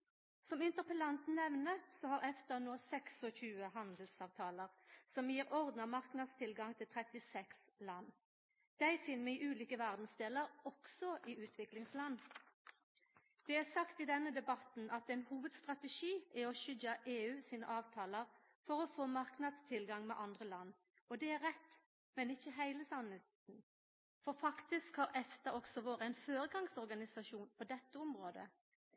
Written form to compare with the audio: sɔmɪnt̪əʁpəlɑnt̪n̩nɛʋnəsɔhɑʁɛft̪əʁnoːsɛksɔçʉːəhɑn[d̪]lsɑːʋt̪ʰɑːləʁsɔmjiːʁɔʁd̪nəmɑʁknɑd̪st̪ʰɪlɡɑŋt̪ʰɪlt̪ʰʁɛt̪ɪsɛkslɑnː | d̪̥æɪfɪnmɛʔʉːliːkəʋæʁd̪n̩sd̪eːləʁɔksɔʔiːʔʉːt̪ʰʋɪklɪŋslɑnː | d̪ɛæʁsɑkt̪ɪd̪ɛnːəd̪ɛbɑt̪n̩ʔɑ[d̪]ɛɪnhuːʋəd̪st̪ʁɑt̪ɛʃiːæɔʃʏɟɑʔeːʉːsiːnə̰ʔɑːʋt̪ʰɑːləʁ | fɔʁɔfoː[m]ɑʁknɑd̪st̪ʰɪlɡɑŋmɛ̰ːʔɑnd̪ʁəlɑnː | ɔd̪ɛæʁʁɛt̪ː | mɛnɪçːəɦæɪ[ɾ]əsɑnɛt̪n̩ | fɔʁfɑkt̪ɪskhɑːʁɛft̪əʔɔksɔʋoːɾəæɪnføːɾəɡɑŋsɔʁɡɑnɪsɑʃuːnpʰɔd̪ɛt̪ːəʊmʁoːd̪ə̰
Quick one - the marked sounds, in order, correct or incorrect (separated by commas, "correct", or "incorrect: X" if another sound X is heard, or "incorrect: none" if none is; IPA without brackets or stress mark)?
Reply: correct, incorrect: t̪, correct, incorrect: l